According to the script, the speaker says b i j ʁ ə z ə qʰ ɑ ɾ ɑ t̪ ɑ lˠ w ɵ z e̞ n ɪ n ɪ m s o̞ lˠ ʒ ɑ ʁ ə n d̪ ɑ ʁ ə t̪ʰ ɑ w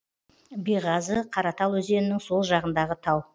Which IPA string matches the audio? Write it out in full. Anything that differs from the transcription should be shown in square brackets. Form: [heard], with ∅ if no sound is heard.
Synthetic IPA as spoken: b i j ʁ [ɑ] z ə qʰ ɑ ɾ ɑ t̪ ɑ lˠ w ɵ z e̞ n ɪ n ɪ [ŋ] s o̞ lˠ ʒ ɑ ʁ ə n d̪ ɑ ʁ ə t̪ʰ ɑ w